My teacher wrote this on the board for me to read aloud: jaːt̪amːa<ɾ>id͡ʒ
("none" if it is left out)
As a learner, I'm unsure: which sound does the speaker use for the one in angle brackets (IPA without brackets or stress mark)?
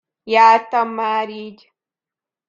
ɾ